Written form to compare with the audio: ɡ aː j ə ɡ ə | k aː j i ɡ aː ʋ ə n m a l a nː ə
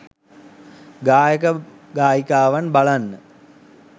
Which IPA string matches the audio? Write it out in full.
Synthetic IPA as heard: ɡ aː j ə k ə | ɡ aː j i k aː ʋ a n b a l a nː ə